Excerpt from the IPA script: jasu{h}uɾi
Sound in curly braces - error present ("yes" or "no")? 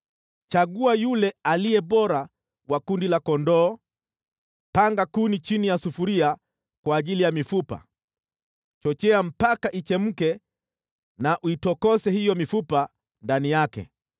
yes